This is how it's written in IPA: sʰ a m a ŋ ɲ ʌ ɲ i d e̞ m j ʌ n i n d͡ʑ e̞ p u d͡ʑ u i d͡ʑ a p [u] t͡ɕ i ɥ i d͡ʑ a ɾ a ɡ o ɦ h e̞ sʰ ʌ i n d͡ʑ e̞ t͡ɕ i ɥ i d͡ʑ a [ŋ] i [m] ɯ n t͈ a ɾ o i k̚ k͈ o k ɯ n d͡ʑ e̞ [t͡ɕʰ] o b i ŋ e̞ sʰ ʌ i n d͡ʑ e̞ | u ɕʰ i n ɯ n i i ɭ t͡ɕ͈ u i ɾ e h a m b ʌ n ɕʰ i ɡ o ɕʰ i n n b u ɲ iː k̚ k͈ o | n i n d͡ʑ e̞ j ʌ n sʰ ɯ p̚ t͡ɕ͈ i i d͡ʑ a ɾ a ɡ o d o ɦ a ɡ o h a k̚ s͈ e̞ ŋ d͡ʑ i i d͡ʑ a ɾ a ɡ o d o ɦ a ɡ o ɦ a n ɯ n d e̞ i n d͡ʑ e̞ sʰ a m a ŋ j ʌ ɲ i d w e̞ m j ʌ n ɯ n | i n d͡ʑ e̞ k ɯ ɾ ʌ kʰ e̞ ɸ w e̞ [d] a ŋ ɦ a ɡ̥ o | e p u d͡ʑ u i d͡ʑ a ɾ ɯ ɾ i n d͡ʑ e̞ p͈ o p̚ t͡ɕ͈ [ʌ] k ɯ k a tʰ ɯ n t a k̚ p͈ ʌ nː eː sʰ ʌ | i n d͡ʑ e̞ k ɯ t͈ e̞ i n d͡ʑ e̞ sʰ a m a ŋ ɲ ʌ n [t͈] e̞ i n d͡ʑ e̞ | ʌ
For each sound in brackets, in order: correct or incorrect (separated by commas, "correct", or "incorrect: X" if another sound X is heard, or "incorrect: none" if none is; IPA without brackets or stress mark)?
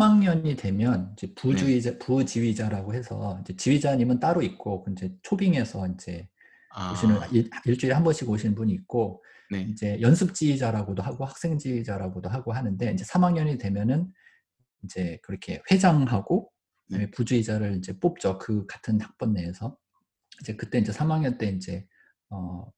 correct, incorrect: ɲ, correct, correct, incorrect: d͡ʑ, correct, correct